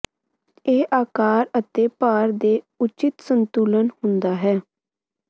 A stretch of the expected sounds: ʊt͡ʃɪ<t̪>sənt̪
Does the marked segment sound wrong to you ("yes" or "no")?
no